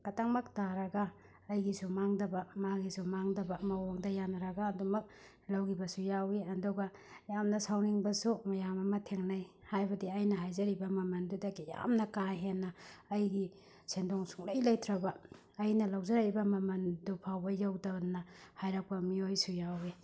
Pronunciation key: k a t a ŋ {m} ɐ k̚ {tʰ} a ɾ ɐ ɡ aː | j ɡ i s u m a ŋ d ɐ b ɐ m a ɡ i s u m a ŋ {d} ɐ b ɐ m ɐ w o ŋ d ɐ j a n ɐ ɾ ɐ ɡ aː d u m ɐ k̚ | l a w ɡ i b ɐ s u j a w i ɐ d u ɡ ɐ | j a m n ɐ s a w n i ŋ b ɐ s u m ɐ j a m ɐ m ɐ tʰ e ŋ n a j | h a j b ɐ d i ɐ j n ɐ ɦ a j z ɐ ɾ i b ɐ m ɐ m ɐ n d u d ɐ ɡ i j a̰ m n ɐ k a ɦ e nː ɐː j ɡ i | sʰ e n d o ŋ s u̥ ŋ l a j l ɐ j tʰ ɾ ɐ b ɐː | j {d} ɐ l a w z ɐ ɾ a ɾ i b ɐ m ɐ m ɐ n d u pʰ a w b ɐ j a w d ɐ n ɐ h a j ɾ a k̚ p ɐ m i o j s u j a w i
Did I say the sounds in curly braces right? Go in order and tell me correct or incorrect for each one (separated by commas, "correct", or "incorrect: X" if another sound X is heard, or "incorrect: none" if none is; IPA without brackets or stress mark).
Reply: correct, incorrect: t, correct, incorrect: n